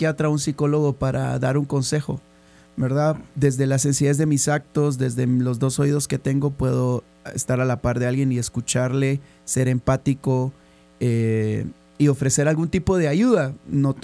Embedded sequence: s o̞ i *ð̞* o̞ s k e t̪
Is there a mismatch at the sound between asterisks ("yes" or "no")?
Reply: no